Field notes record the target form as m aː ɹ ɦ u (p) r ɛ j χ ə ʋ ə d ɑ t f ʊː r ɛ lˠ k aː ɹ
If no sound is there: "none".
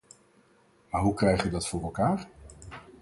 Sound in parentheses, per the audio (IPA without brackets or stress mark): k